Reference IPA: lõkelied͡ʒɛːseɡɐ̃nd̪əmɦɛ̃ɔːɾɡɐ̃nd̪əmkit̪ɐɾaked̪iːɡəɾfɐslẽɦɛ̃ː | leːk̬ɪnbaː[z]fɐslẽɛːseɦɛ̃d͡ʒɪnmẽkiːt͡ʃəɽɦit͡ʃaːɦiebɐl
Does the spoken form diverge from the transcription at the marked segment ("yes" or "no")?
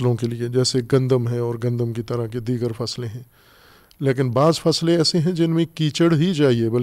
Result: no